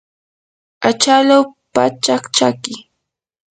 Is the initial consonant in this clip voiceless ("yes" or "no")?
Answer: yes